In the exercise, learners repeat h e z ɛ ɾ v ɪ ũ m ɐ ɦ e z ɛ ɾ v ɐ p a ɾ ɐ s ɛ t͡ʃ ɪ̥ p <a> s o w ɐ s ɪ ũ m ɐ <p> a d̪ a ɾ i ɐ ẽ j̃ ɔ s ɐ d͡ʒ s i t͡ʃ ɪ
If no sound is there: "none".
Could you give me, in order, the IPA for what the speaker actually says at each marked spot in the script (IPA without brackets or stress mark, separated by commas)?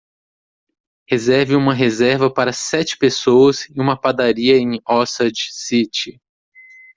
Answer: e, p